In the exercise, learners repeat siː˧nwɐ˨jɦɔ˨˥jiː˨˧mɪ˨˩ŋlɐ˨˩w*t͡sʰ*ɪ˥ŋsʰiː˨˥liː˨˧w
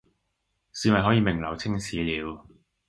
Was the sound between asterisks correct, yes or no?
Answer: yes